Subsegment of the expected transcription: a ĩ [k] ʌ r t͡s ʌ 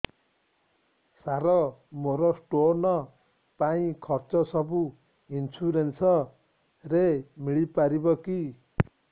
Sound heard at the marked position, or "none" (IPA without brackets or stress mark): kʰ